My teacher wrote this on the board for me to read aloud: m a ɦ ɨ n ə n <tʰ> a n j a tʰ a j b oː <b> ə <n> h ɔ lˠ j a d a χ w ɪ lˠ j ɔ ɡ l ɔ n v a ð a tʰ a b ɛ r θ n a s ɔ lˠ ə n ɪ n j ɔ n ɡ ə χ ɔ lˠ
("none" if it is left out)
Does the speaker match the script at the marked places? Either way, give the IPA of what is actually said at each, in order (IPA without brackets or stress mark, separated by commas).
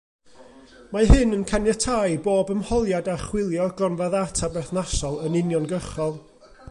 kʰ, b, m